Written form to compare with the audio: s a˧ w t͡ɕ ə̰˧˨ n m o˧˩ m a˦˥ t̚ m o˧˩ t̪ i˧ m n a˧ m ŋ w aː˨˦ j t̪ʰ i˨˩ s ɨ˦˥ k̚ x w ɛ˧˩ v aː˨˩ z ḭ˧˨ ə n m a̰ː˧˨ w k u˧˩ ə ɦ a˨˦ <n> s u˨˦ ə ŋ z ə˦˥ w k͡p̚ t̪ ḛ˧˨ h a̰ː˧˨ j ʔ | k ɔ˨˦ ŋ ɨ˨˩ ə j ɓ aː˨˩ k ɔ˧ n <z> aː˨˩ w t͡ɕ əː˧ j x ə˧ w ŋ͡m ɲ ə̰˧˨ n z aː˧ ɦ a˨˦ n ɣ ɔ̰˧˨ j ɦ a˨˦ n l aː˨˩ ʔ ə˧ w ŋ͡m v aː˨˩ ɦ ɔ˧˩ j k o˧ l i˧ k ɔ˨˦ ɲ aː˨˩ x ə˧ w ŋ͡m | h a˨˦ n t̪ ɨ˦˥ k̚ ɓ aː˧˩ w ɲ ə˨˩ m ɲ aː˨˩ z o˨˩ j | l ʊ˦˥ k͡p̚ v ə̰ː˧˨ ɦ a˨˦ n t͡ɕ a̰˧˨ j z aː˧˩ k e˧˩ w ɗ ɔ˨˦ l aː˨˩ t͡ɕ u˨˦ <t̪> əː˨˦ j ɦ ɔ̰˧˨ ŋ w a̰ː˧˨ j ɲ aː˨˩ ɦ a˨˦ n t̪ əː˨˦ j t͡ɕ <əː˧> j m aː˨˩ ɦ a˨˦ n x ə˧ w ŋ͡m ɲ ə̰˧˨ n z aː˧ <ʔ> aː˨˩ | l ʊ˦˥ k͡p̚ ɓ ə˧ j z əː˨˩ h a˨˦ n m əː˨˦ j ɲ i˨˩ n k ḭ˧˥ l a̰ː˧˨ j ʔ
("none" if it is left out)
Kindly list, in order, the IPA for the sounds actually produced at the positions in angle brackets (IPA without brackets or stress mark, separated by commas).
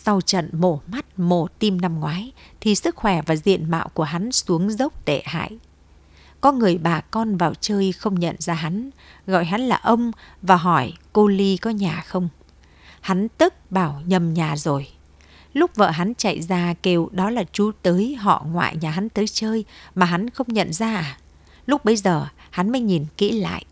n, v, t̪, əː˧, ʔ